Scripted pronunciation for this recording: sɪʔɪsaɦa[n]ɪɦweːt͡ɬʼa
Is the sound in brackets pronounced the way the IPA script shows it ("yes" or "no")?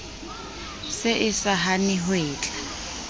yes